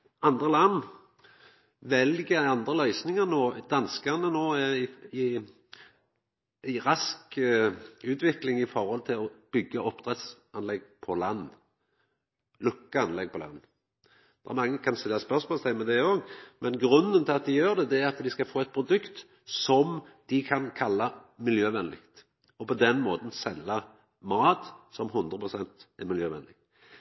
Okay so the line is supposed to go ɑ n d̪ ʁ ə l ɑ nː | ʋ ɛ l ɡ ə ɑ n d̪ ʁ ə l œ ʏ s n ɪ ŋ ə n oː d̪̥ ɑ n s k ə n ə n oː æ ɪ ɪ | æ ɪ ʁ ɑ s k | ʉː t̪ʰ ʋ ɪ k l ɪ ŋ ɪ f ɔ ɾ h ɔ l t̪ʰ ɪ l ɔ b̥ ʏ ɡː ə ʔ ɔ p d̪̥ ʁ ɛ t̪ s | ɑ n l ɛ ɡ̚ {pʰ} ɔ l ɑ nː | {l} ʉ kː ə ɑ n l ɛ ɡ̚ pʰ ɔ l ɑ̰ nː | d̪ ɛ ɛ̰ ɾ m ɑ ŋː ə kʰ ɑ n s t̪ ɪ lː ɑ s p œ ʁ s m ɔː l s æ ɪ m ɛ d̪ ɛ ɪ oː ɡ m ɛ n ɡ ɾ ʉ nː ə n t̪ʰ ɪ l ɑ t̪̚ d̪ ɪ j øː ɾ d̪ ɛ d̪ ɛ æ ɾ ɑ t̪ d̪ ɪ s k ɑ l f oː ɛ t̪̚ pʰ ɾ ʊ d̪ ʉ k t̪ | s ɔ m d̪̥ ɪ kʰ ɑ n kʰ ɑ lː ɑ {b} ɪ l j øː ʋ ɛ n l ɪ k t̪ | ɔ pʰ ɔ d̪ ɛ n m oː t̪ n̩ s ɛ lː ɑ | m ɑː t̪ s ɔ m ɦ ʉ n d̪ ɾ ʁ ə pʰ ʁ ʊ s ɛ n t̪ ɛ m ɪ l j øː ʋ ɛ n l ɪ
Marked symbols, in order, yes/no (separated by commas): yes, yes, no